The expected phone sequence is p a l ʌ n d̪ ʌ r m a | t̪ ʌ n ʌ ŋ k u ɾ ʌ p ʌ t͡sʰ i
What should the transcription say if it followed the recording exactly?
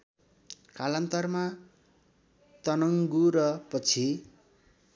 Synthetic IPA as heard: k a l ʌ n t̪ ʌ r m a | t̪ ʌ n ʌ ŋ ɡ u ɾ ʌ p ʌ t͡sʰ i